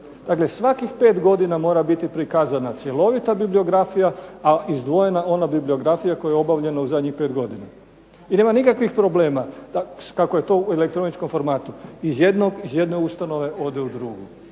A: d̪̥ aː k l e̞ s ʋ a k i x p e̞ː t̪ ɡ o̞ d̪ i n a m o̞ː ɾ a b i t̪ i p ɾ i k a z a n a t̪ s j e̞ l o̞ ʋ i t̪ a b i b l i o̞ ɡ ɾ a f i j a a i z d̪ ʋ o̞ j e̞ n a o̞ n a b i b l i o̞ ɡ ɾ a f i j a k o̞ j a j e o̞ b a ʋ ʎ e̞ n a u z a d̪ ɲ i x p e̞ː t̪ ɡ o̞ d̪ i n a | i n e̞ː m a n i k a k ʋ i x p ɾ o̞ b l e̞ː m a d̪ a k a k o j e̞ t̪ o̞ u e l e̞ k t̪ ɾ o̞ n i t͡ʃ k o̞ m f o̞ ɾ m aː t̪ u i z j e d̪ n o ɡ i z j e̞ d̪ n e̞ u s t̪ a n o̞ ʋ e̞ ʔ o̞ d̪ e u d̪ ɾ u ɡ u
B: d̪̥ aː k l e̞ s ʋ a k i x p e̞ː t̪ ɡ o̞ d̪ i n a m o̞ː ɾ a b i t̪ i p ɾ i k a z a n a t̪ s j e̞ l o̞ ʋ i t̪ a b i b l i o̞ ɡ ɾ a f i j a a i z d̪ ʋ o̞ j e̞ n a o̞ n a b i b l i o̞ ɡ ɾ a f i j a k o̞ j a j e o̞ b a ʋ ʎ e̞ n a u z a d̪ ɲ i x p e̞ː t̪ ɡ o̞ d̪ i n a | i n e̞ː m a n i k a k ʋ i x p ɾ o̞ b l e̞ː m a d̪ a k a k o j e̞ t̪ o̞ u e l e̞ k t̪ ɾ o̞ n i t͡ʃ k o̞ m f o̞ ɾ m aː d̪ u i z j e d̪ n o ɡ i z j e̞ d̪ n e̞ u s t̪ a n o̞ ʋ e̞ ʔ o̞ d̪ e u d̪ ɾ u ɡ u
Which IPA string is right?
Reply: A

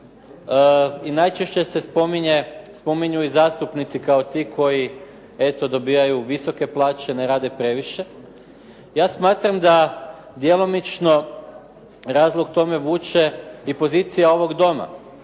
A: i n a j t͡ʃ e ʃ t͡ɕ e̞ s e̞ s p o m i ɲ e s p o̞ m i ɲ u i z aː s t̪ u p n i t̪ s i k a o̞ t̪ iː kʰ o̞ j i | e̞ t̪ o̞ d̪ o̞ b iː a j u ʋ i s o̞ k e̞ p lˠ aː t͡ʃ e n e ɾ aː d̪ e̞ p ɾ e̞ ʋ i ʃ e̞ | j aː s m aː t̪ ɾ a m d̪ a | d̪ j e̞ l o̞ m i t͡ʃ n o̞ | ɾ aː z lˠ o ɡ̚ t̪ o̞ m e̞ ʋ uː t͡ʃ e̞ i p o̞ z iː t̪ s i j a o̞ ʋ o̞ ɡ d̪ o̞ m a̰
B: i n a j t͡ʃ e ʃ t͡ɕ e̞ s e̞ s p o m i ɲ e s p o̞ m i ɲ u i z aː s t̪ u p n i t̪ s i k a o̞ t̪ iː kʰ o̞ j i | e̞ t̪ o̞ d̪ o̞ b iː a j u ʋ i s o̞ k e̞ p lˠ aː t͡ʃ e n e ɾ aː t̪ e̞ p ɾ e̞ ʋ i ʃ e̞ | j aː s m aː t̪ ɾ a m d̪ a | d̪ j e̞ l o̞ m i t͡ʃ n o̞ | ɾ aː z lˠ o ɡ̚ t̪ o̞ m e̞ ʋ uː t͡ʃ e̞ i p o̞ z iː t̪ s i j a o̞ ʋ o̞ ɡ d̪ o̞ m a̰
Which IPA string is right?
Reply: A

